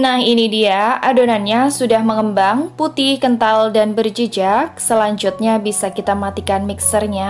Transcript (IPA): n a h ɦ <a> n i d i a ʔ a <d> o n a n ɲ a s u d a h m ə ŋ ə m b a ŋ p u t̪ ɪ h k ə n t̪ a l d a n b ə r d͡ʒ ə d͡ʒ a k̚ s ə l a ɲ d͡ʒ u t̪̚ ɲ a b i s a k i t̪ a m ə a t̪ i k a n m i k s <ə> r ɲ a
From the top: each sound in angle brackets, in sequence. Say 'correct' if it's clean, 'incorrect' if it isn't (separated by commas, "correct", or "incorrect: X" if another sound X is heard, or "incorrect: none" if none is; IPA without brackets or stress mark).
incorrect: i, correct, correct